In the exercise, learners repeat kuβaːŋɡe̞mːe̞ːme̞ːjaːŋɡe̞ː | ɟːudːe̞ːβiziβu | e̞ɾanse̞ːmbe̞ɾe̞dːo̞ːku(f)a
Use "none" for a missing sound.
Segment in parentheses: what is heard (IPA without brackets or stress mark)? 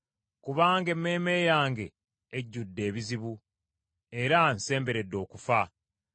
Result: f